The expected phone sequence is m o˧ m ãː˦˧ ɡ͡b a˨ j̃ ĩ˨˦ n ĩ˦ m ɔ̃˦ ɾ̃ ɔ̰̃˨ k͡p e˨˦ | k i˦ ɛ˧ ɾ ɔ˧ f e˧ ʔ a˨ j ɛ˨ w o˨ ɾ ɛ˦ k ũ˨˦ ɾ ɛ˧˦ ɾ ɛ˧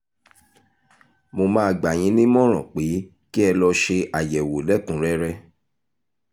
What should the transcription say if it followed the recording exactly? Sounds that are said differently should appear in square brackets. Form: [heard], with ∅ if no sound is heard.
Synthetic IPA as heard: m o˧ m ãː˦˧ ɡ͡b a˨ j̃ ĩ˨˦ n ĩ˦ m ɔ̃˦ ɾ̃ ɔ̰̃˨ k͡p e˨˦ | k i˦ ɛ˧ [l] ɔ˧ [ʃ] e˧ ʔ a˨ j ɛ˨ w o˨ [l] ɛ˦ k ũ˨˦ ɾ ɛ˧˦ ɾ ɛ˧